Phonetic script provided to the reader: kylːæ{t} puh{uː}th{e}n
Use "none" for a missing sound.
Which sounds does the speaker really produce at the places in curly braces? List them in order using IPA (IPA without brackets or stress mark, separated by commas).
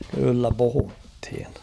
none, u, i